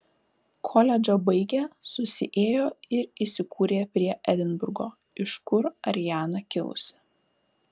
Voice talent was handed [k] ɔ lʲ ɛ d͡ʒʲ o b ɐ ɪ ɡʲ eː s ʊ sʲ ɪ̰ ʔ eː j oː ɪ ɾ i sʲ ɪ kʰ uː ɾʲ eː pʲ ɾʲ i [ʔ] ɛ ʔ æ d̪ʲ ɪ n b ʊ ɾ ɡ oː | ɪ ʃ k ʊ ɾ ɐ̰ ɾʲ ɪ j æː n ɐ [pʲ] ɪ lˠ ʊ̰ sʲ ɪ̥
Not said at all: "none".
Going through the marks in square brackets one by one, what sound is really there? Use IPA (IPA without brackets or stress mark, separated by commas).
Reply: kʰ, none, kʲ